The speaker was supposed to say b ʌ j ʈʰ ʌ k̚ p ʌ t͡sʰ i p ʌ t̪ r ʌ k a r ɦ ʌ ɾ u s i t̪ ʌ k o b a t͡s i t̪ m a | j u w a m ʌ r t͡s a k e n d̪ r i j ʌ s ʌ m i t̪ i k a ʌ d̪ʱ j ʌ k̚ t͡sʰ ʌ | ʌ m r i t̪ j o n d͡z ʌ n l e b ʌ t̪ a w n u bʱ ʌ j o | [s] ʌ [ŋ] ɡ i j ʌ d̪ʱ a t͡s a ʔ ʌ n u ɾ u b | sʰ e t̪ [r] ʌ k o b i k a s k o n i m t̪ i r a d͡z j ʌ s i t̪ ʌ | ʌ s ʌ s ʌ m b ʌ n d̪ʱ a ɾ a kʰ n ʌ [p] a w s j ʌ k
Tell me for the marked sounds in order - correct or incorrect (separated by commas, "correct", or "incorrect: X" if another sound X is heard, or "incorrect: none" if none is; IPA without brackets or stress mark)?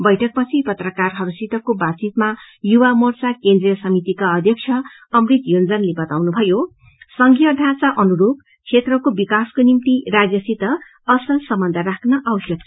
correct, correct, correct, incorrect: ʔ